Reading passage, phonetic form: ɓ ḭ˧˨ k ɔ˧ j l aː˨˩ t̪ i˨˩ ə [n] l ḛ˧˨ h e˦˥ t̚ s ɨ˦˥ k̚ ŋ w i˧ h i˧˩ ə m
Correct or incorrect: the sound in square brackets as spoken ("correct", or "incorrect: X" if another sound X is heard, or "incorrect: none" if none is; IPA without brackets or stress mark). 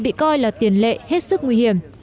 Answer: correct